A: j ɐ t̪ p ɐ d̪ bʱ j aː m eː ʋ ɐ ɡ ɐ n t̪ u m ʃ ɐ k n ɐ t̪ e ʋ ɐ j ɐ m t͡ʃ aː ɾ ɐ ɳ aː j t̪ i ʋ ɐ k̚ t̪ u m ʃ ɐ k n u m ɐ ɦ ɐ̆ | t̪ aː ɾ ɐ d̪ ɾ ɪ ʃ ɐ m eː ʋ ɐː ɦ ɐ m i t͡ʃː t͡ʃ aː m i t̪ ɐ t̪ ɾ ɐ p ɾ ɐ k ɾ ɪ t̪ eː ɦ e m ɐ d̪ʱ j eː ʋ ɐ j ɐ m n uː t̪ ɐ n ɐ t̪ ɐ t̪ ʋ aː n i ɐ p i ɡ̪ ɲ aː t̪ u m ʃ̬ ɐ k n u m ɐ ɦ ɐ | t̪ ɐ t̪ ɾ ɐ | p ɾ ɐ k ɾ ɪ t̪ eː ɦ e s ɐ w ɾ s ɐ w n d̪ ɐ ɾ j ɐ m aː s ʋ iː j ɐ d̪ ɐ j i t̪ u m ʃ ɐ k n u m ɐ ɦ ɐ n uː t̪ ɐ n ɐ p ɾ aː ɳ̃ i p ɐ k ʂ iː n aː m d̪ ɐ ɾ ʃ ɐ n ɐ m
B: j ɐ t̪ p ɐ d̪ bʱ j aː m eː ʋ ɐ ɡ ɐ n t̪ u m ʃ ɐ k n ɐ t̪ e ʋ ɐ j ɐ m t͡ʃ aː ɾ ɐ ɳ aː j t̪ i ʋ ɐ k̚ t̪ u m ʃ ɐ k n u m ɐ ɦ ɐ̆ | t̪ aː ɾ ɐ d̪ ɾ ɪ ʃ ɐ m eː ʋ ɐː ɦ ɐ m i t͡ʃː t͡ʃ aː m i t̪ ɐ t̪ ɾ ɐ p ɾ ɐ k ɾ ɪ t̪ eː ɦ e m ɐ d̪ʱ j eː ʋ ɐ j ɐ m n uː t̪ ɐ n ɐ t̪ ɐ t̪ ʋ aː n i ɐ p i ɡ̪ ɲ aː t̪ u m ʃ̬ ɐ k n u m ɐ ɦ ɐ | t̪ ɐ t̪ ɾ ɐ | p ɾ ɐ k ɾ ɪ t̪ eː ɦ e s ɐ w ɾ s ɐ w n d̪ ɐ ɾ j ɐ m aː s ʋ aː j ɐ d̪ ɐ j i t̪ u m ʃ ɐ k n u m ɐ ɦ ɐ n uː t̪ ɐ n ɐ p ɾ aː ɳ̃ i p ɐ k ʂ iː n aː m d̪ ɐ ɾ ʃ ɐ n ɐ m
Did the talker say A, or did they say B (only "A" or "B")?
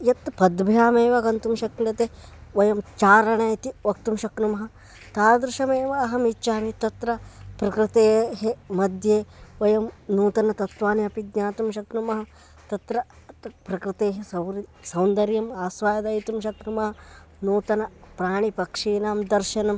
B